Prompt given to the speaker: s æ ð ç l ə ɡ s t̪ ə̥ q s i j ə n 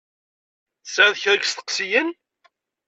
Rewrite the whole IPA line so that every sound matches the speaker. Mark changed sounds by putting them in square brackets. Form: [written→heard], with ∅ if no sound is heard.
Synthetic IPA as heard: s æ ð ç [l→ɾ] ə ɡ s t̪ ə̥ q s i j ə n